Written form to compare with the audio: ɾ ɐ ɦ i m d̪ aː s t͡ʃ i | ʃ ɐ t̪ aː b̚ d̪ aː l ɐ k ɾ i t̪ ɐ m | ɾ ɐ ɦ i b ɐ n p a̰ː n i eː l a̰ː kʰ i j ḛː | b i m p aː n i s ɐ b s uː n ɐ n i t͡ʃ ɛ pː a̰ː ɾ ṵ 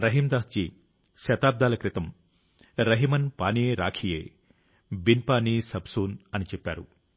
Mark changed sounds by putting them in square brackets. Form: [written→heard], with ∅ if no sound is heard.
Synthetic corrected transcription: ɾ ɐ ɦ i m d̪ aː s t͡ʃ i | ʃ ɐ t̪ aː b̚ d̪ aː l ɐ k ɾ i t̪ ɐ m | ɾ ɐ ɦ i [b→m] ɐ n p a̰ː n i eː [l→ɾ] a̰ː kʰ i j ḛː | b i [m→n] p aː n i s ɐ b s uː n ɐ n i t͡ʃ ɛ pː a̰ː ɾ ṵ